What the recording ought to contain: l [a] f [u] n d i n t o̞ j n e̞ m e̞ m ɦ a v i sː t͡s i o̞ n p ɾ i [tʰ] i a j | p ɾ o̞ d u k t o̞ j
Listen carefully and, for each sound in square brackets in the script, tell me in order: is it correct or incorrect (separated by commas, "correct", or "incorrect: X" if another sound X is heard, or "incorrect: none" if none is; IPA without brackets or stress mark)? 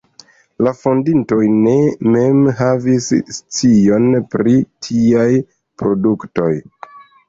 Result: correct, incorrect: o, correct